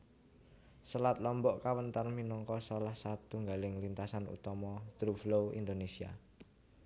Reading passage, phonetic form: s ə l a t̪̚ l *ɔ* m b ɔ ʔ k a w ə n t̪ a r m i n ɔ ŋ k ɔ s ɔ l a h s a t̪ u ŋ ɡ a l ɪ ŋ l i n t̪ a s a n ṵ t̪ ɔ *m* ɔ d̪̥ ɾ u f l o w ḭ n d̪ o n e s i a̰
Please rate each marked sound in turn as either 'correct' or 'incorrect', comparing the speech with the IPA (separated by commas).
correct, correct